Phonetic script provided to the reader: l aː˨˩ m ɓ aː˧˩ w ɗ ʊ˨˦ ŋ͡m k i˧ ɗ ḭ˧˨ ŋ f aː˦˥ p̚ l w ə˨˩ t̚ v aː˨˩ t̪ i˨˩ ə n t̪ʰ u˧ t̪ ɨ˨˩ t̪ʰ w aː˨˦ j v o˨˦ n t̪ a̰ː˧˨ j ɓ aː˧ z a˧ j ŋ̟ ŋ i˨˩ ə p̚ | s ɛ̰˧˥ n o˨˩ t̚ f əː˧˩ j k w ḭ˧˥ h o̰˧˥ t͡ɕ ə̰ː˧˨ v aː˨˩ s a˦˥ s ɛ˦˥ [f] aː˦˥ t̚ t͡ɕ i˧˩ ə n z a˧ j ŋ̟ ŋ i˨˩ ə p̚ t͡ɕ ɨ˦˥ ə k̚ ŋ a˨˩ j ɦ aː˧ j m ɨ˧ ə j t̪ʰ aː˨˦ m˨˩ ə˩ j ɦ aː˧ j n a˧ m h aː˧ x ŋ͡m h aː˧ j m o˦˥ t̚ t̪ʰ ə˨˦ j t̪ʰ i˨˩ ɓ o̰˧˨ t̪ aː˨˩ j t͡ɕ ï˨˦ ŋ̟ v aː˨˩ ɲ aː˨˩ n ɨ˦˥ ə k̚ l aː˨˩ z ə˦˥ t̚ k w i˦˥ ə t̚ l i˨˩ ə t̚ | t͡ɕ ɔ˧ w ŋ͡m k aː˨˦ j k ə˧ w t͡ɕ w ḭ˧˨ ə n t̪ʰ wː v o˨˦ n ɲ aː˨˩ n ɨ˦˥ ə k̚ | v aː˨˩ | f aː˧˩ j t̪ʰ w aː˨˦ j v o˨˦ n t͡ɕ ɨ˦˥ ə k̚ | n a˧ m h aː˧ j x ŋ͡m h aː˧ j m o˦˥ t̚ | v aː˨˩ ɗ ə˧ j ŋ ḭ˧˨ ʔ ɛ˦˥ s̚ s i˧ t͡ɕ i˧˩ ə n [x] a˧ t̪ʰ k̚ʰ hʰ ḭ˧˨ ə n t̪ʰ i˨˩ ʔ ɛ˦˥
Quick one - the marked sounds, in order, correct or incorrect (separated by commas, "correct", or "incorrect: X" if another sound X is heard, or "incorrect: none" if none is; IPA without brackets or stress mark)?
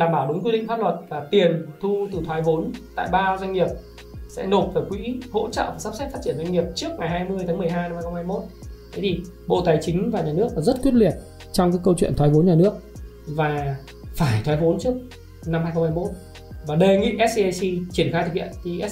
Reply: correct, correct